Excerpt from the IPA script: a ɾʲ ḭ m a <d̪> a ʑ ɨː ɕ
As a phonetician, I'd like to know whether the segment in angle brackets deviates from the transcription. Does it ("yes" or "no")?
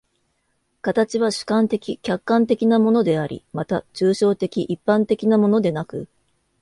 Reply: yes